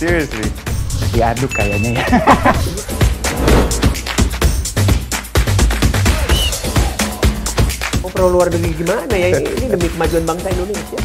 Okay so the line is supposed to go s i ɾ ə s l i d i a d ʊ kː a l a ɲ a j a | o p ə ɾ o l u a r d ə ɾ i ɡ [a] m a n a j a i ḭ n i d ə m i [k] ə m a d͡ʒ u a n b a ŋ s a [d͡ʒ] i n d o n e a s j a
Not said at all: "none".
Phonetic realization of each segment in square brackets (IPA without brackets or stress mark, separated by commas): i, k, none